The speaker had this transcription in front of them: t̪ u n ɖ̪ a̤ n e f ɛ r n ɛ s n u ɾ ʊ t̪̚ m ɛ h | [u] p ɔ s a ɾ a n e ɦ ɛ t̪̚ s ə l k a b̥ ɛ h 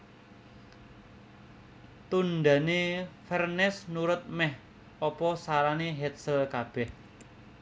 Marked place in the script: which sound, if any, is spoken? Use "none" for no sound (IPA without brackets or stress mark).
ɔ